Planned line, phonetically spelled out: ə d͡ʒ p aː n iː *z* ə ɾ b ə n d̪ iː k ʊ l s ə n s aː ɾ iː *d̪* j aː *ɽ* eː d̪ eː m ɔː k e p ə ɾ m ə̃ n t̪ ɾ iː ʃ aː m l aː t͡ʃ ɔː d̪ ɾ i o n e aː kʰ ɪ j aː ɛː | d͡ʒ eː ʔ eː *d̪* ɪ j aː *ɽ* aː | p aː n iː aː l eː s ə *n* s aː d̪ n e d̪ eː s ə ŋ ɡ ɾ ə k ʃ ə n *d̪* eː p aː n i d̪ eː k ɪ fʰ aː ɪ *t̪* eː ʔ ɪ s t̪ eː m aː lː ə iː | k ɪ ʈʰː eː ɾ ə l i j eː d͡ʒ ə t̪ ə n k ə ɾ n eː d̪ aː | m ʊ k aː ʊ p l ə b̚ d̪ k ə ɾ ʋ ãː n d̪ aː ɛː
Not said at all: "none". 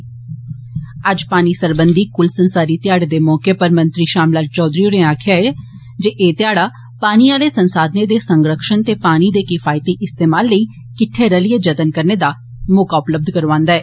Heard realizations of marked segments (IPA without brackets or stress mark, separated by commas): s, t̪, ɽ, t̪, ɽ, n, t̪, t̪